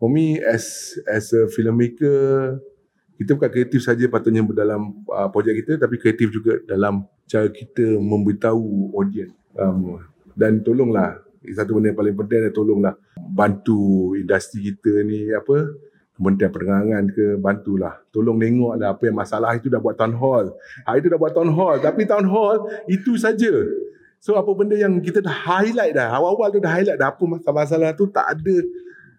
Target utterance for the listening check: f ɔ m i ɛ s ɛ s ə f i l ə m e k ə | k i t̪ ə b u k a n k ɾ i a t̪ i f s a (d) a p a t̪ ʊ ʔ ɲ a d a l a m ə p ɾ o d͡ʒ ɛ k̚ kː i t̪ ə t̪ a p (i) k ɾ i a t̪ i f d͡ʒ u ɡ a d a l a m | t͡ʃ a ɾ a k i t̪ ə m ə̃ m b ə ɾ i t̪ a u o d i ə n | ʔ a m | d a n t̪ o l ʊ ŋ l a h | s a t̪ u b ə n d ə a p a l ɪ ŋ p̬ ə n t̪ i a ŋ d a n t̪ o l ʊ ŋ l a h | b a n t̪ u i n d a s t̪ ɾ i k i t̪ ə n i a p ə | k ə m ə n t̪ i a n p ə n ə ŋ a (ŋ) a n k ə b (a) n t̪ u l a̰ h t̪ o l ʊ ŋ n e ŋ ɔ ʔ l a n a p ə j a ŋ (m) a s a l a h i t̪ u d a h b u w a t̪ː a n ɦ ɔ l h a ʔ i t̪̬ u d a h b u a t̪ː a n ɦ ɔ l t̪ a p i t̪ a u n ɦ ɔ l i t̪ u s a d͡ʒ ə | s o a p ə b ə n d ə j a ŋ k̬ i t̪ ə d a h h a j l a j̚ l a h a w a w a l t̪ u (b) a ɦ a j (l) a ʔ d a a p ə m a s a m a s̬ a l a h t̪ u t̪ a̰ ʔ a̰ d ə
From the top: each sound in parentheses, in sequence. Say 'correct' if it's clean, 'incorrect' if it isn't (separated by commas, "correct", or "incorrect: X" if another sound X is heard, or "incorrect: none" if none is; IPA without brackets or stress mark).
incorrect: d͡ʒ, correct, correct, correct, correct, incorrect: d, correct